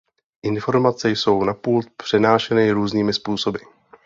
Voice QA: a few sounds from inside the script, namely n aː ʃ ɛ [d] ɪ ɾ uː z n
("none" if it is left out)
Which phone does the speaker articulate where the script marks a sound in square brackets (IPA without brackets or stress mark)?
n